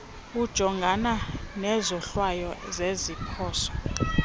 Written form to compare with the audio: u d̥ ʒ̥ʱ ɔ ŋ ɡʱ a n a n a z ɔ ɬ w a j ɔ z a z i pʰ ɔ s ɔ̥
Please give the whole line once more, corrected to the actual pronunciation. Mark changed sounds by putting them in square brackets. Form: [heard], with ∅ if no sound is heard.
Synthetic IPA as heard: u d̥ ʒ̥ʱ ɔ ŋ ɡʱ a n a n [ɛ] z ɔ ɬ w a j ɔ z [e] z i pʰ [ɔː] s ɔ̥